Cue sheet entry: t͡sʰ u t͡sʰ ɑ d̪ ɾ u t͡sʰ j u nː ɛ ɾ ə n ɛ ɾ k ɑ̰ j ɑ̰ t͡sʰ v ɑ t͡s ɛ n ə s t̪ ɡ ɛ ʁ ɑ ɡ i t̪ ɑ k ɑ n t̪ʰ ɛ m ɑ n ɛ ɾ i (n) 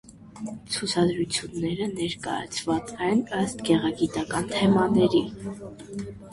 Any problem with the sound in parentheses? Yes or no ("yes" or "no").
yes